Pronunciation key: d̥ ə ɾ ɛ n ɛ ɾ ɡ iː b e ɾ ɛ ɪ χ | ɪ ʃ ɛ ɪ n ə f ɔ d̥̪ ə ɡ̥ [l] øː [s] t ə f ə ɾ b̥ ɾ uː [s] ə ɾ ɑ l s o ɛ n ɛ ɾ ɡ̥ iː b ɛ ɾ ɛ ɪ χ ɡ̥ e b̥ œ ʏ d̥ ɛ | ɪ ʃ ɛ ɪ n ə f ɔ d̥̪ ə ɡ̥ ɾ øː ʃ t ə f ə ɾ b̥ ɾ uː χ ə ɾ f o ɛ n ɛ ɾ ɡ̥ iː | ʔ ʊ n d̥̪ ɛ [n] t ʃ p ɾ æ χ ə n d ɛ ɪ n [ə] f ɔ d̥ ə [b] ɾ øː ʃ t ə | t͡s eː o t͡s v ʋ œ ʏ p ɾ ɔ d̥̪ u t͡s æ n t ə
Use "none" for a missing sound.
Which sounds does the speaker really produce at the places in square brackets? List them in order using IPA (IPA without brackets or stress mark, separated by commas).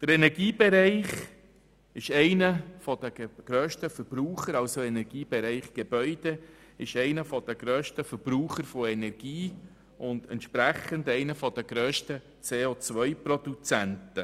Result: ɾ, ʃ, χ, n, ə, ɡ